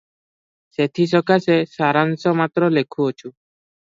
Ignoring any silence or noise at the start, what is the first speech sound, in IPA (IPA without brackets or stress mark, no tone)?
s